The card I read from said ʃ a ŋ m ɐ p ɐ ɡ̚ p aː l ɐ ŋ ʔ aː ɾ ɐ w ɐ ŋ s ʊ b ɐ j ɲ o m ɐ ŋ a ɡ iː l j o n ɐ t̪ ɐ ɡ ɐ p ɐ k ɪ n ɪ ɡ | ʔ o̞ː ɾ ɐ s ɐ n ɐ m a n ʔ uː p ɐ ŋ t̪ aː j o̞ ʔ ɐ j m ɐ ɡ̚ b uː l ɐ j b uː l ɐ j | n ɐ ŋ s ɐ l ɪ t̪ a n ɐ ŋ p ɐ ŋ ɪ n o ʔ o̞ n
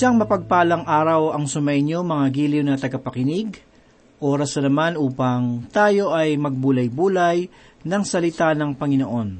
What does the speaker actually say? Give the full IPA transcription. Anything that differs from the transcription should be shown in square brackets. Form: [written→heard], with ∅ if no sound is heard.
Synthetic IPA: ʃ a ŋ m ɐ p ɐ ɡ̚ p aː l ɐ ŋ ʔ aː ɾ ɐ w ɐ ŋ s ʊ [b→m] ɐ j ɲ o m ɐ ŋ a ɡ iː l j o n ɐ t̪ ɐ ɡ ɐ p ɐ k ɪ n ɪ ɡ | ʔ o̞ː ɾ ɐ s ɐ n ɐ m a n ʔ uː p ɐ ŋ t̪ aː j o̞ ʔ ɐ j m ɐ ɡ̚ b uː l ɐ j b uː l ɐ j | n ɐ ŋ s ɐ l ɪ t̪ a n ɐ ŋ p ɐ ŋ ɪ n o ʔ o̞ n